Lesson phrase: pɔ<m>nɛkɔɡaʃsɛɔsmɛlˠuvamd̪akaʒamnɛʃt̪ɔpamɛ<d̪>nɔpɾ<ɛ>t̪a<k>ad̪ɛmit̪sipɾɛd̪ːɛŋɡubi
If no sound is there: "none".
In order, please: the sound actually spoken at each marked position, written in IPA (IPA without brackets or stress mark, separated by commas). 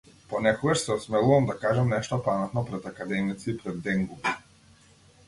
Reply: none, t̪, ɛ, k